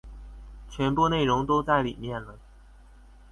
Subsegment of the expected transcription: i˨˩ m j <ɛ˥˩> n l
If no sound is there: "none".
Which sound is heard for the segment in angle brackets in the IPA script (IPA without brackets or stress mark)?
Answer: ɛ˥˩